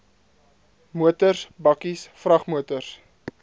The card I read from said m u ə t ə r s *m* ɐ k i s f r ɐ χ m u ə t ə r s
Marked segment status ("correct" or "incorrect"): incorrect